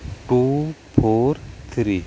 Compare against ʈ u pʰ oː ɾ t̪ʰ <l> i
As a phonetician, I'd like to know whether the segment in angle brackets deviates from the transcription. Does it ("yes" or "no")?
yes